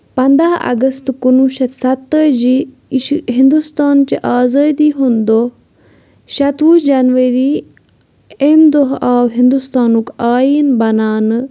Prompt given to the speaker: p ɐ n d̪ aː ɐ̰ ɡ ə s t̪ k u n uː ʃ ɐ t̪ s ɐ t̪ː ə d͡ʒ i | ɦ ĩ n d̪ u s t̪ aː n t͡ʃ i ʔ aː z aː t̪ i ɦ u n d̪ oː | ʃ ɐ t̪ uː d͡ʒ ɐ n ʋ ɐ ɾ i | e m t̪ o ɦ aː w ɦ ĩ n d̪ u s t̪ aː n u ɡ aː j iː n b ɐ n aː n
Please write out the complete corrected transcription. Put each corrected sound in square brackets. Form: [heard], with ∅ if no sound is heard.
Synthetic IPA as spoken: p ɐ n d̪ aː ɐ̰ ɡ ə s t̪ k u n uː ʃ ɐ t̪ s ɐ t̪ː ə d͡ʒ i | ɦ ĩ n d̪ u s t̪ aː n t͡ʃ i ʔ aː z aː [d̪] i ɦ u n d̪ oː | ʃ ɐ t̪ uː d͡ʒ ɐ n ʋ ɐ ɾ i | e m [d̪] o ɦ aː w ɦ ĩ n d̪ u s t̪ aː n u [k] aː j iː n b ɐ n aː n